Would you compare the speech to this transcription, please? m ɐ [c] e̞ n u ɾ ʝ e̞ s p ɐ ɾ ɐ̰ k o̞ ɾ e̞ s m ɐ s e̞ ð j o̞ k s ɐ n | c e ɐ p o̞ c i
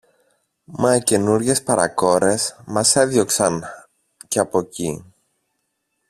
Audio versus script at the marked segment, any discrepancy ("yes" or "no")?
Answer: no